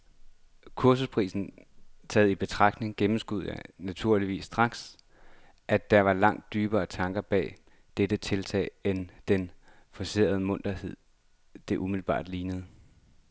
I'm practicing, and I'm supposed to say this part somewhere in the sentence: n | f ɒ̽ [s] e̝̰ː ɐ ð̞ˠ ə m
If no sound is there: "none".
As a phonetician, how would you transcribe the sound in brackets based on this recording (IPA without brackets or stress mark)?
s